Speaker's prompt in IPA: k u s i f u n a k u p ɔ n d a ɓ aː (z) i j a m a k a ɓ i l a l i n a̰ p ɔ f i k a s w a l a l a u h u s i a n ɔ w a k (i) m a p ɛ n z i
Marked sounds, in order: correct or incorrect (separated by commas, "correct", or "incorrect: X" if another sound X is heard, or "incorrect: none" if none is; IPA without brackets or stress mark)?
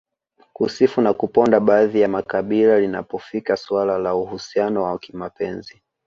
incorrect: ð, correct